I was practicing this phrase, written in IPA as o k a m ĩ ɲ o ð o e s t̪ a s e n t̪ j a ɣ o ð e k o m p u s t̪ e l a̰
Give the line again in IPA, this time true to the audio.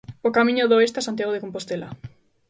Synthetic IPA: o k a m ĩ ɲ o ð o e s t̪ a s a n t̪ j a ɣ o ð e k o m p o s t̪ e l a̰